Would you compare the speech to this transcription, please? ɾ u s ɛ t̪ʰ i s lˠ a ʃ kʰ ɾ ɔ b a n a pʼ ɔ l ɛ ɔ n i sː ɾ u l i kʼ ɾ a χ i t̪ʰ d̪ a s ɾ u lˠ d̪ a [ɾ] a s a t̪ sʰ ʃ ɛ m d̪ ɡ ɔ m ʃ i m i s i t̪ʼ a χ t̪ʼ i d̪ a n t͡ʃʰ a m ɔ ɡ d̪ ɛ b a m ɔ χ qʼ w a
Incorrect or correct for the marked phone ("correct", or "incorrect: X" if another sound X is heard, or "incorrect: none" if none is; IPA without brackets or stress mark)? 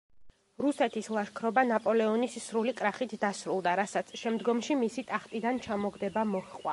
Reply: correct